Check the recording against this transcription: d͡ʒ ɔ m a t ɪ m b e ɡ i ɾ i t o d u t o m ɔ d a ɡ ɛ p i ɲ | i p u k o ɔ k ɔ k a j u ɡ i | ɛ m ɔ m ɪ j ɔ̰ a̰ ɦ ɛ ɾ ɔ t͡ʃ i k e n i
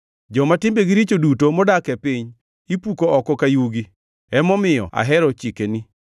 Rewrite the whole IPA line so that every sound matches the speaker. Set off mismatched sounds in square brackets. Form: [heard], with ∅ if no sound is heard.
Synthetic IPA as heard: d͡ʒ ɔ m a t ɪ m b e ɡ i ɾ i [t͡ʃ] o d u t o m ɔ d a [k] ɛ p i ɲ | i p u k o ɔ k ɔ k a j u ɡ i | ɛ m ɔ m ɪ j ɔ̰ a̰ ɦ ɛ ɾ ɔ t͡ʃ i k e n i